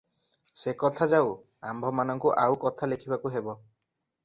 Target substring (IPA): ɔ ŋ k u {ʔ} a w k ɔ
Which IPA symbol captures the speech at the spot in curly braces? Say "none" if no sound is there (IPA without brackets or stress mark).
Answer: ʔ